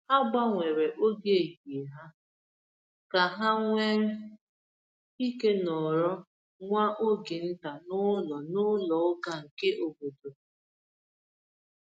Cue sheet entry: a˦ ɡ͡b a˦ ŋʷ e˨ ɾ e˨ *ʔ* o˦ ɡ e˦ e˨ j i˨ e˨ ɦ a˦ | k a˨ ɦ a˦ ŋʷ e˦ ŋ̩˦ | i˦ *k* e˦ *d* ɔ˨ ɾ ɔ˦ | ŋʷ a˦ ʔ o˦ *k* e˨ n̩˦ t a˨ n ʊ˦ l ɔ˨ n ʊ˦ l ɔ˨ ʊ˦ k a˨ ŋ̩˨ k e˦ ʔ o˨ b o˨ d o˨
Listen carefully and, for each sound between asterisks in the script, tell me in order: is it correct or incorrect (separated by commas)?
correct, correct, incorrect, incorrect